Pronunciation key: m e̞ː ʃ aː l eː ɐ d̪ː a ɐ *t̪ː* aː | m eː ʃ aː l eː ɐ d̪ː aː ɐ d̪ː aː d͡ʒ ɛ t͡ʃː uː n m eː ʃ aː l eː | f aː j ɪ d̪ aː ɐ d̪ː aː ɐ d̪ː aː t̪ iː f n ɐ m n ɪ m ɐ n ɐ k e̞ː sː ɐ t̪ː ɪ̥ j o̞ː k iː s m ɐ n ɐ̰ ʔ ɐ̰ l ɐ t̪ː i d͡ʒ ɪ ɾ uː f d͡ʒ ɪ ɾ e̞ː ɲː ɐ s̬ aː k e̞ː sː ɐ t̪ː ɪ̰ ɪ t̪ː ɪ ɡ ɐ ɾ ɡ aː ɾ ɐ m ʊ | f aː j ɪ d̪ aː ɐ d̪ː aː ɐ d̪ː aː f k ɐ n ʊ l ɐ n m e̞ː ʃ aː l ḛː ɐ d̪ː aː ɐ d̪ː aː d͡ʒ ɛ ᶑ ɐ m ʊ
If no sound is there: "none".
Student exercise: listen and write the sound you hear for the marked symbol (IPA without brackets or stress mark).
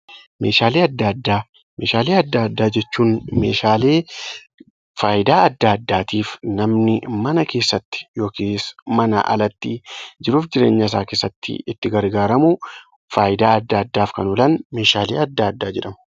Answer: d̪ː